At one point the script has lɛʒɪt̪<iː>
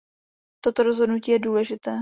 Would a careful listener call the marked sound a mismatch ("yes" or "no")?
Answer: yes